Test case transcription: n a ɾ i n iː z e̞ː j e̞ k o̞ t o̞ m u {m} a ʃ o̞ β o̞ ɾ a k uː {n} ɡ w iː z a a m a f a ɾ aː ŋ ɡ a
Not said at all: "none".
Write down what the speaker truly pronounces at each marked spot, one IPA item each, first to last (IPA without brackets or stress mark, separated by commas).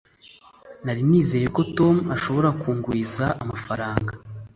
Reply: none, ŋ